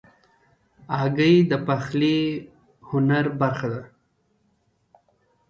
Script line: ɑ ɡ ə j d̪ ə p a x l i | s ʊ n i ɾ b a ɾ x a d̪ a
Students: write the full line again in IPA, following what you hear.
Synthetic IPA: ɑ ɡ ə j d̪ ə p a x l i | h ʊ n a ɾ b a ɾ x a d̪ a